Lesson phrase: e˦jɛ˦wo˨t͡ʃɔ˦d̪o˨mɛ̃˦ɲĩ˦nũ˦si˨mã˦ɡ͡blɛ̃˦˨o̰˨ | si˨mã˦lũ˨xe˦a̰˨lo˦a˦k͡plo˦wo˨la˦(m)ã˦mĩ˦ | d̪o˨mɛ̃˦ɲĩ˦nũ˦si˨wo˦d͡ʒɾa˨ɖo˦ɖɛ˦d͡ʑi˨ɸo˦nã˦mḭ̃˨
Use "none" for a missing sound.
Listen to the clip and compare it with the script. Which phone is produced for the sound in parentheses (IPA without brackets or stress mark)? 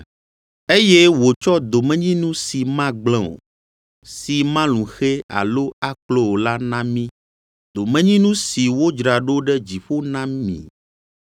n